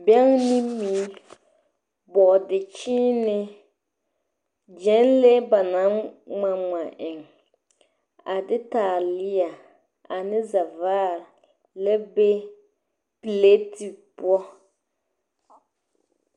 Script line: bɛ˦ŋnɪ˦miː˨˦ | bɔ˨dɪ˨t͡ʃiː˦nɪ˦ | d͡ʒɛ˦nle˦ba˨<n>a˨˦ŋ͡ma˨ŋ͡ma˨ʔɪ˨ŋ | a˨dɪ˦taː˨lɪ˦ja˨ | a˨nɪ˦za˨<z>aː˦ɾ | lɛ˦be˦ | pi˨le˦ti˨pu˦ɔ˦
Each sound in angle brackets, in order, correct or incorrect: correct, incorrect: v

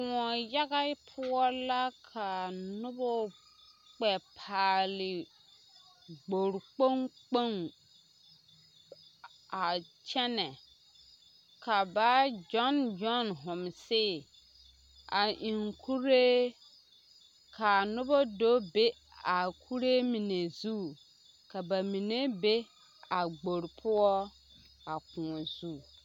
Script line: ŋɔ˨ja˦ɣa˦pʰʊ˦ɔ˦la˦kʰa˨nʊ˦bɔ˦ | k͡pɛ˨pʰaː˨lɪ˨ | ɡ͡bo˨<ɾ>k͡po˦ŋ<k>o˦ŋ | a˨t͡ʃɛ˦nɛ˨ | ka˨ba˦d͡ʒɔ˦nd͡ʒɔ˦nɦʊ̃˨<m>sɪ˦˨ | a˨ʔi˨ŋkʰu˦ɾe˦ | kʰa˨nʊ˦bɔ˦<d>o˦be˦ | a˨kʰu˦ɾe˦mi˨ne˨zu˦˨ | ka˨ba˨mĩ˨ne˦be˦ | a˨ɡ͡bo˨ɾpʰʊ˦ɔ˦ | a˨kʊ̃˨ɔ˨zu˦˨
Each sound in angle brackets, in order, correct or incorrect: correct, incorrect: k͡p, correct, correct

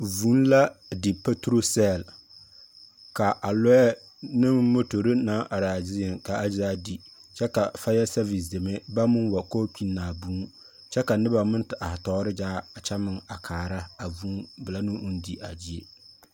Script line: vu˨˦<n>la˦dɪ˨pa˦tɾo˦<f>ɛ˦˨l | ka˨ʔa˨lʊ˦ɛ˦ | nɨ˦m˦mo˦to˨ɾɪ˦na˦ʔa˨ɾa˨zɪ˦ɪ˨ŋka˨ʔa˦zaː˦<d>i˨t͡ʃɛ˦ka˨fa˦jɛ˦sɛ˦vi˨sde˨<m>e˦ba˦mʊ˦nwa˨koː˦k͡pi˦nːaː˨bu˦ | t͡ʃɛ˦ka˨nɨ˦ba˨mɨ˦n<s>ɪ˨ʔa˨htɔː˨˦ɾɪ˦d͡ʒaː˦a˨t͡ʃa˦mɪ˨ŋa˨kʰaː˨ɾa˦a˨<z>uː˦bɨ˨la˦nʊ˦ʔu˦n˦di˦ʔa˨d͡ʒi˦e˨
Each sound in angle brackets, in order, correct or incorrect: correct, incorrect: s, correct, correct, incorrect: t, incorrect: v

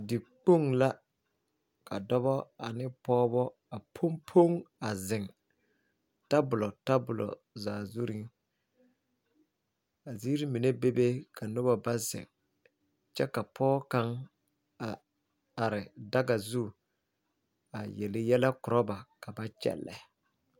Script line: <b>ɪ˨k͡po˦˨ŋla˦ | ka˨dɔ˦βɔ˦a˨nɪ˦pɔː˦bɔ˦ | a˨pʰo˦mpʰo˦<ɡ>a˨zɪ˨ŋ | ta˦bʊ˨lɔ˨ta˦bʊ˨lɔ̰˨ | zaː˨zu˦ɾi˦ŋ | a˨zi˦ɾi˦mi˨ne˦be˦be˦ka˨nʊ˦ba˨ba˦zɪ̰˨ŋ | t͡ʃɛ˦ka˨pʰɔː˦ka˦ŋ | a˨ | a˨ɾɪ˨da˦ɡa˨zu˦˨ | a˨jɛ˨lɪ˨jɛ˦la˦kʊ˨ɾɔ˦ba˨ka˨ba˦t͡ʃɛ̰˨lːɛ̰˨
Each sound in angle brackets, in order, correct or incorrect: incorrect: d, incorrect: ŋ

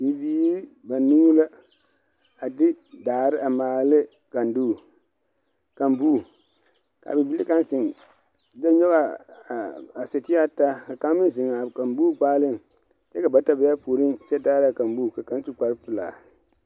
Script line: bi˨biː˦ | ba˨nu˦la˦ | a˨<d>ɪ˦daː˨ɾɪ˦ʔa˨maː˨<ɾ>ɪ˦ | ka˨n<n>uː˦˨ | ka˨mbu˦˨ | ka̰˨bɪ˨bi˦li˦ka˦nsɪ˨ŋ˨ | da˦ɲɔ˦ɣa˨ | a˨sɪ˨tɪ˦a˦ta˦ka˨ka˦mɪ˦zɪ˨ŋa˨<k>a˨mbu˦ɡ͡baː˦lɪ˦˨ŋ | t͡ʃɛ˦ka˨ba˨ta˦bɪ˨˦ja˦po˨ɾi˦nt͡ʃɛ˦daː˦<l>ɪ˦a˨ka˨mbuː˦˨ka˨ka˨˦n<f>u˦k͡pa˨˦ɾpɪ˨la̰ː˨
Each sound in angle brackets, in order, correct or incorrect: correct, incorrect: l, incorrect: d, correct, incorrect: ɾ, incorrect: s

